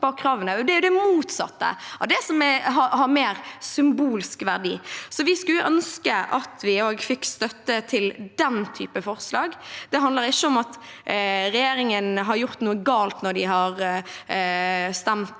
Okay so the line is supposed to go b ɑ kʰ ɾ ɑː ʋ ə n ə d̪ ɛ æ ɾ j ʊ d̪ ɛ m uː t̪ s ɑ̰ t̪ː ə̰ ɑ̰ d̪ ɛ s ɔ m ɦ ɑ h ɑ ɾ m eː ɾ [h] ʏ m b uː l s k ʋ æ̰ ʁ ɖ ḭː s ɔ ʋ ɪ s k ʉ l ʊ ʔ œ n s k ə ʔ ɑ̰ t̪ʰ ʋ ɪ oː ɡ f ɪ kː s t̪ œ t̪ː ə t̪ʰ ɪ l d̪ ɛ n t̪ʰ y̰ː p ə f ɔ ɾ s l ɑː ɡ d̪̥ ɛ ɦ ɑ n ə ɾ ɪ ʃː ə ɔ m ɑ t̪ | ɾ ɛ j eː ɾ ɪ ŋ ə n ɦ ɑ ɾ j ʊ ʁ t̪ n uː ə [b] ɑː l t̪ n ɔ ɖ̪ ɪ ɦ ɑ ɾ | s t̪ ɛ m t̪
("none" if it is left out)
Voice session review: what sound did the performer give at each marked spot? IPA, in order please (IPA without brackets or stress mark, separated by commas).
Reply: s, ɡ